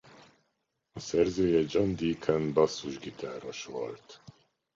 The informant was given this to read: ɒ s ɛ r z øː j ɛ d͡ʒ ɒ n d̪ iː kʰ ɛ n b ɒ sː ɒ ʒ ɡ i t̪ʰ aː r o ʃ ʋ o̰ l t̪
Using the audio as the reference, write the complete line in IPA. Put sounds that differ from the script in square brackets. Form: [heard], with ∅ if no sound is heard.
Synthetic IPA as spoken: ɒ s ɛ r z øː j ɛ d͡ʒ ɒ n d̪ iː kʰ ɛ n b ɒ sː [u] ʒ ɡ i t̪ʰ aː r o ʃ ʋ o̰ l t̪